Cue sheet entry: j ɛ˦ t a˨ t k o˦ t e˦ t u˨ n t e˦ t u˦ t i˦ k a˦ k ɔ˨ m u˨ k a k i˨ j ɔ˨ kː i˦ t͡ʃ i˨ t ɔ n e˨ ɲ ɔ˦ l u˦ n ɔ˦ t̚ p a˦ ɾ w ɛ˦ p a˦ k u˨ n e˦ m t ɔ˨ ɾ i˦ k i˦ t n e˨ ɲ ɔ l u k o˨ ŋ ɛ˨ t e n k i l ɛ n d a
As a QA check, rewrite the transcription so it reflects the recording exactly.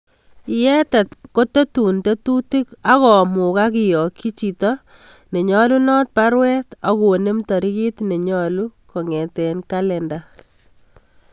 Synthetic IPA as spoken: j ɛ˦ t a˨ t k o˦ t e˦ t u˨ n t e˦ t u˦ t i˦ k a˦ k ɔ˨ m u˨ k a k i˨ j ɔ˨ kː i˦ t͡ʃ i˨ t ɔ n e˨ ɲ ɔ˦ l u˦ n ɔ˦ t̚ p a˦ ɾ w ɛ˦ t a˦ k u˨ n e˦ m t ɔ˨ ɾ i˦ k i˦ t n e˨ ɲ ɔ l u k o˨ ŋ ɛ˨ t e n k a l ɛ n d a